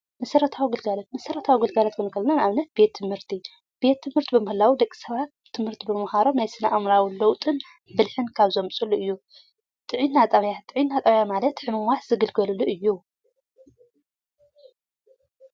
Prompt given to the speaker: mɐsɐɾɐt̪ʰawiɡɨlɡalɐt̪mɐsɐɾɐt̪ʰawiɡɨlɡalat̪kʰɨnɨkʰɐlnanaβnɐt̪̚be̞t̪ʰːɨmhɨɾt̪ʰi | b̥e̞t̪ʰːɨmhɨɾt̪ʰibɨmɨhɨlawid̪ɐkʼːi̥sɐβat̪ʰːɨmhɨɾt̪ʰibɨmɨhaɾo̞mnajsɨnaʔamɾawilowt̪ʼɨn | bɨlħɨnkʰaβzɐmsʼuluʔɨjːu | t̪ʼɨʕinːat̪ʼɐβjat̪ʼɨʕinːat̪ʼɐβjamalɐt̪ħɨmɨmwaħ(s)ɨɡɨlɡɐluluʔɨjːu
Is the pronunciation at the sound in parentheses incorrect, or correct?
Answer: incorrect